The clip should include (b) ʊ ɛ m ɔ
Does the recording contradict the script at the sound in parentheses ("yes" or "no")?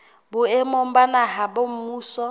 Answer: no